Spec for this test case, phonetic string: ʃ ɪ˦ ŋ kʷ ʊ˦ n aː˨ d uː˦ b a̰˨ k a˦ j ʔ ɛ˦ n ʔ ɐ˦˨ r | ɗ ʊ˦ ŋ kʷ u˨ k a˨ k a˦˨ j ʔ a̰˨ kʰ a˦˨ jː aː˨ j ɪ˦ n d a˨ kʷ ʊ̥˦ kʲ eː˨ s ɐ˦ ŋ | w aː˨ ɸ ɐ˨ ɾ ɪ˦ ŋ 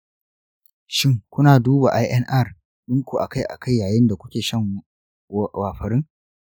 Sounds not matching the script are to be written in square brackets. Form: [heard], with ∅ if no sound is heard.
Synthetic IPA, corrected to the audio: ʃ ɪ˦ ŋ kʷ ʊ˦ n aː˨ d uː˦ b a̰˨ [ʔ] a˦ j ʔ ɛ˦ n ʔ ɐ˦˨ r | ɗ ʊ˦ ŋ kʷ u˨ [ʔ] a˨ k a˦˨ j ʔ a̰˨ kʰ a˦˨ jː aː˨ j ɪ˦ n d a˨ kʷ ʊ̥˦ kʲ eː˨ [ʃ] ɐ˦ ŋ | w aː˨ ɸ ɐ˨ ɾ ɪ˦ ŋ